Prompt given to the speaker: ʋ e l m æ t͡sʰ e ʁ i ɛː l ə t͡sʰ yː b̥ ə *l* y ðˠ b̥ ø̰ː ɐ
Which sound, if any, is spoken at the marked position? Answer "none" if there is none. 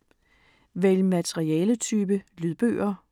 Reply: l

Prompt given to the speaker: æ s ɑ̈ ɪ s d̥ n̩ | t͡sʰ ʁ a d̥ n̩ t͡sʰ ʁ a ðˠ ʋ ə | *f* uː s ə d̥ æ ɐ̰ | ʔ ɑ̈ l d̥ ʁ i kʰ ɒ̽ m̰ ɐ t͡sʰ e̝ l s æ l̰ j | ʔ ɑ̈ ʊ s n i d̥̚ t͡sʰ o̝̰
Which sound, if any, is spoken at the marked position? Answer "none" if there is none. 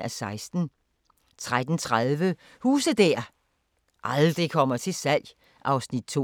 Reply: h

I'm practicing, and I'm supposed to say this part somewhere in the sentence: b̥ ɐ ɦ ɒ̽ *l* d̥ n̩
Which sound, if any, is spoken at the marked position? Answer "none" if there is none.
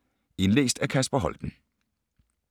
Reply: l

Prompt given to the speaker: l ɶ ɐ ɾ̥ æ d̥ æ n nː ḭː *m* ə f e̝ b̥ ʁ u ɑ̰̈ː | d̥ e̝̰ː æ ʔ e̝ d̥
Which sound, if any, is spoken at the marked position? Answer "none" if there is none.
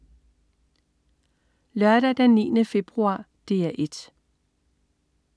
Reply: n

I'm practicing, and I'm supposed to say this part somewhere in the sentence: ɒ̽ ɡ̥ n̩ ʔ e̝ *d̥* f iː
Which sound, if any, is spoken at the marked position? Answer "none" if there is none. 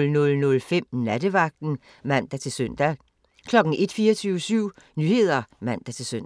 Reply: d̥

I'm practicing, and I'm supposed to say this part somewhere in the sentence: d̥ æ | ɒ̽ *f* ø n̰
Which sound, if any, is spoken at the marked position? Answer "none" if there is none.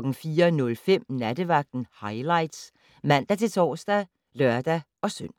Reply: s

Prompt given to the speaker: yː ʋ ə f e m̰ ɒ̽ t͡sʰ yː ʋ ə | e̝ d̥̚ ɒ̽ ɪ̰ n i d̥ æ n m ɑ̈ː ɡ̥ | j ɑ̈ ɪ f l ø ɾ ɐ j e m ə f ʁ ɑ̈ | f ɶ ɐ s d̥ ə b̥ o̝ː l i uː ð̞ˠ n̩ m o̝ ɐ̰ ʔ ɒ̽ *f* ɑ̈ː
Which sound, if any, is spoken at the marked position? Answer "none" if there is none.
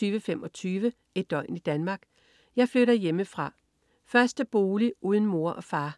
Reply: f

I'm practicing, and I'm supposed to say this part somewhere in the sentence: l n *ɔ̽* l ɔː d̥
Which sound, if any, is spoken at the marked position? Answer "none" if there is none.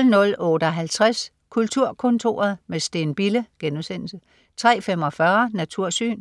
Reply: ɔ̽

